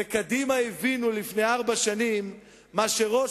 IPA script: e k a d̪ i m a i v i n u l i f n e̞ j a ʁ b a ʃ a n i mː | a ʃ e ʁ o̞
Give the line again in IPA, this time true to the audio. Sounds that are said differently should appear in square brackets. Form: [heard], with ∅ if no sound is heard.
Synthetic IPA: e k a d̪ i m a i v i n u l i f n e̞ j a ʁ b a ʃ a n i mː | a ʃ e ʁ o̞

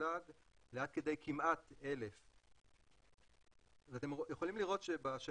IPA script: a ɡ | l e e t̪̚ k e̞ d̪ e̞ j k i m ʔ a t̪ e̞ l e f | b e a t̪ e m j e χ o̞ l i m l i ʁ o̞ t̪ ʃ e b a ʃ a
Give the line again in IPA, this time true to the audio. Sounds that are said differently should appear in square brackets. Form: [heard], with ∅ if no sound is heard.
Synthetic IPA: a ɡ | l e [a] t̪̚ k e̞ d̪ e̞ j k i m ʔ a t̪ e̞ l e f | [v] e a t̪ e m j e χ o̞ l i m l i ʁ o̞ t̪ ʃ e b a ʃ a

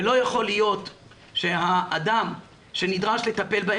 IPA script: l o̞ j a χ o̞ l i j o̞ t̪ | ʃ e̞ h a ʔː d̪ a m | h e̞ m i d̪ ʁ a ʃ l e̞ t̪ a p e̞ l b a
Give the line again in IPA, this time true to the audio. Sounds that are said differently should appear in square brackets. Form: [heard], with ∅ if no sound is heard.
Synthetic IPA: l o̞ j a χ o̞ l i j o̞ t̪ | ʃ e̞ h a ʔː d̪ a m | [ʃ] e̞ [n] i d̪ ʁ a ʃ l e̞ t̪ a p e̞ l b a

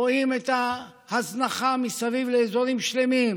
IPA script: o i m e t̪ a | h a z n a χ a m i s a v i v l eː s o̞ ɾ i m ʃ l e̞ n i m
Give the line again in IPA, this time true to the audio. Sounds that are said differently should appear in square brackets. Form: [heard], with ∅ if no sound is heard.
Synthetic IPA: o i m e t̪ a | h a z n a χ a m i s a v i v l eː [z] o̞ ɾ i m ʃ l e̞ [m] i m

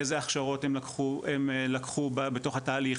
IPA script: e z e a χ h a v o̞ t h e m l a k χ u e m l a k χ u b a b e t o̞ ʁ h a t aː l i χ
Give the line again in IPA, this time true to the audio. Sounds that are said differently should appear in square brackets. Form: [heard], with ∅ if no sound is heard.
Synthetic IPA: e z e a χ [ʃ] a [ʁ] o̞ t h e m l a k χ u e m l a k χ u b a b e t o̞ [χ] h a t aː l i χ

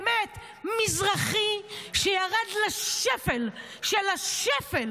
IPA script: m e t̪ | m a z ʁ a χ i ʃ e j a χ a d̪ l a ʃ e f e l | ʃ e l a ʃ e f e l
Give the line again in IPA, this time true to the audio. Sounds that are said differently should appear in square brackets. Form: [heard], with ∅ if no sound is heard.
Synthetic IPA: m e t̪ | m [i] z ʁ a χ i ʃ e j a [ʁ] a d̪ l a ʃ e f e l | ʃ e l a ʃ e f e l

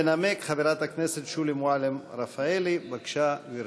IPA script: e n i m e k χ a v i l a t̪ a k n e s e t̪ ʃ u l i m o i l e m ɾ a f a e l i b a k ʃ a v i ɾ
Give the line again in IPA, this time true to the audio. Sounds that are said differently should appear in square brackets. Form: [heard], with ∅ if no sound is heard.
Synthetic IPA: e n [a] m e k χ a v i [ɾ] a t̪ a k n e s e t̪ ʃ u l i m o [a] l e m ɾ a f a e l i b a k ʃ a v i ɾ

